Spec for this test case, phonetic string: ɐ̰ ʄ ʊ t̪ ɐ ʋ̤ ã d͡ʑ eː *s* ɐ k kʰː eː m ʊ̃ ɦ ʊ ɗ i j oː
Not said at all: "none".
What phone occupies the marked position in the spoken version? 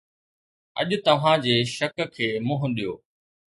ʃ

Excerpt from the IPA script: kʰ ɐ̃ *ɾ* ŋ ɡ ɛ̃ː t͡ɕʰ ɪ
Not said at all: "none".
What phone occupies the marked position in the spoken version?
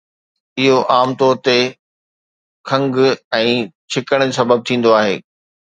none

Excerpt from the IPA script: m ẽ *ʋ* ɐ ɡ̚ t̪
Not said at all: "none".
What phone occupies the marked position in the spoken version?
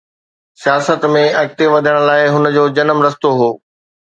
none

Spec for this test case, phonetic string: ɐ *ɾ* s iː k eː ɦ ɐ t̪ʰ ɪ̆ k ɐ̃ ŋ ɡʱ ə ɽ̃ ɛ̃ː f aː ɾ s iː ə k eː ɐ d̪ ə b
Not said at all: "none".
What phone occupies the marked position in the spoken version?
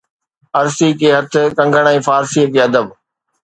ɾ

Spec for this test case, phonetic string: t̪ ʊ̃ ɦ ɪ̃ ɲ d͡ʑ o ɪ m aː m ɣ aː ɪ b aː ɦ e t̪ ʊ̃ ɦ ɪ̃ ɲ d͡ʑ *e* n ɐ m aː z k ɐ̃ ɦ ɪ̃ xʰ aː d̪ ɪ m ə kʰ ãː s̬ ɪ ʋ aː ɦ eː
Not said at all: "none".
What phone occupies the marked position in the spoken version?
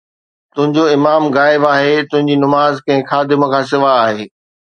i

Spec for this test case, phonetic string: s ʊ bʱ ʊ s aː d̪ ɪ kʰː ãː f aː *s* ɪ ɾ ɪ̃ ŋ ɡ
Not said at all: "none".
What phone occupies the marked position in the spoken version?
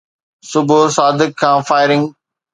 none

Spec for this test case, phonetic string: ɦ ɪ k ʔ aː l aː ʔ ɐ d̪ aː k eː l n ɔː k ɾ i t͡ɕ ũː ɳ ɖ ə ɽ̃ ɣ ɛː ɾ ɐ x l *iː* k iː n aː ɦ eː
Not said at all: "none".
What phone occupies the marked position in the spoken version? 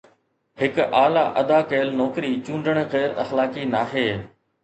aː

